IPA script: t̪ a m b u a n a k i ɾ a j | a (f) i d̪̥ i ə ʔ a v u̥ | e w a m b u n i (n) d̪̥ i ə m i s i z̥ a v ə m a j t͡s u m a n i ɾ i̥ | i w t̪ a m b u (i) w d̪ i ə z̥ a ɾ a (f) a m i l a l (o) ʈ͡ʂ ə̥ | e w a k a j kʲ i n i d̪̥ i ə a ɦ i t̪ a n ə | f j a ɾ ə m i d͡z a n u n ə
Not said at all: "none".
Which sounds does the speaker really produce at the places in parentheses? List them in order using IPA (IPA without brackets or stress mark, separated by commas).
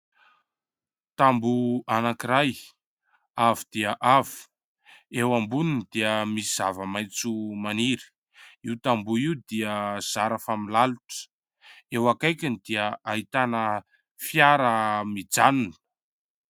v, n, i, f, u